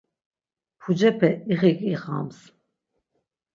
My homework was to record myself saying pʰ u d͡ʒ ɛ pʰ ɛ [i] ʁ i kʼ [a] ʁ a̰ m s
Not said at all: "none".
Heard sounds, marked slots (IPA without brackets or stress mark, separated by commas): i, i